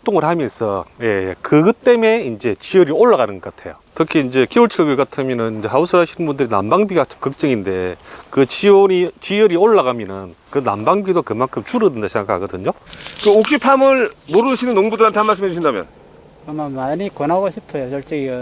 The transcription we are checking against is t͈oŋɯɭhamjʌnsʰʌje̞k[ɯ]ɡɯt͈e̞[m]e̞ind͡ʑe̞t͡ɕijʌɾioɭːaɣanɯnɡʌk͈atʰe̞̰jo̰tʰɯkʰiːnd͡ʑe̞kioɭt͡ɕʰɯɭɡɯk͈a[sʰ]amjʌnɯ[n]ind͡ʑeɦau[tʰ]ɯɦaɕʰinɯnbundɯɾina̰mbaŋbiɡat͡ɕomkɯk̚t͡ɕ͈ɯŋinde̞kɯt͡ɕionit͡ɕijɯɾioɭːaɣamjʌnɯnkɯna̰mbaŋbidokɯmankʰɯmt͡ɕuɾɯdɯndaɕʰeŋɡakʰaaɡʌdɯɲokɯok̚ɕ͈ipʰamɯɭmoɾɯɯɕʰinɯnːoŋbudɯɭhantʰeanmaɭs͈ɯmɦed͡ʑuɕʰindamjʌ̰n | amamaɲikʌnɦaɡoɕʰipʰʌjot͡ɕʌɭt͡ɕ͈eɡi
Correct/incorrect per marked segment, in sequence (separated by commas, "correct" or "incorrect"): correct, correct, incorrect, correct, incorrect